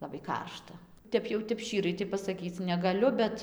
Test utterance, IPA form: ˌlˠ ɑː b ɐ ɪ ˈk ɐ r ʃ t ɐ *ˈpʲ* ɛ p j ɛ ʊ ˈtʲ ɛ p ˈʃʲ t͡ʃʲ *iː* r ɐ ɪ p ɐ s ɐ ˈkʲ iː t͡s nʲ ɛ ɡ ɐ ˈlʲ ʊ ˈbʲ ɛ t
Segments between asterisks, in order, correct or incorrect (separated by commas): incorrect, correct